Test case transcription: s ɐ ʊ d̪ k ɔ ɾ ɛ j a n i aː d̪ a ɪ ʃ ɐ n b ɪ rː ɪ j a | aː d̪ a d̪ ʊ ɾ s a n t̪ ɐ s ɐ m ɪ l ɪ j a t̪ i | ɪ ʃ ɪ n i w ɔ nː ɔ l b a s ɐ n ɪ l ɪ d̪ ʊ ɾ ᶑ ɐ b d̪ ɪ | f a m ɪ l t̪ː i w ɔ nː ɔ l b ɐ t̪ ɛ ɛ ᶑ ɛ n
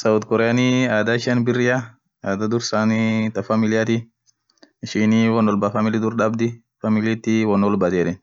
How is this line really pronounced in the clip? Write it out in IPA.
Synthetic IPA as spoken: s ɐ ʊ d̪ k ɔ ɾ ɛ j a n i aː d̪ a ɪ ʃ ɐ n b ɪ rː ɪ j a | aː d̪ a d̪ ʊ ɾ s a n t̪ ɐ f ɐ m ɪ l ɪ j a t̪ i | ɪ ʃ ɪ n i w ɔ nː ɔ l b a f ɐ m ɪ l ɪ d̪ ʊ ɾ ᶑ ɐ b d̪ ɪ | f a m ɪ l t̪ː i w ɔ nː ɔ l b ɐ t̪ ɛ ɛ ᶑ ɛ n